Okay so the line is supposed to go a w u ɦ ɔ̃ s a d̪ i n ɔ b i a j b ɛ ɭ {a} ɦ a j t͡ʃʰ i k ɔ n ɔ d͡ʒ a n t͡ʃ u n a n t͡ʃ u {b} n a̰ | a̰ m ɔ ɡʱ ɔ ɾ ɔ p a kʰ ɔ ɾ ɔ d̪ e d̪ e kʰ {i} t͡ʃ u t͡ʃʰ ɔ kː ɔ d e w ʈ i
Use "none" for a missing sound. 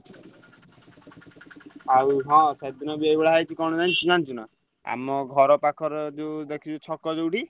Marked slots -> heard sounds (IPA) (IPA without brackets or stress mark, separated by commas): a, none, i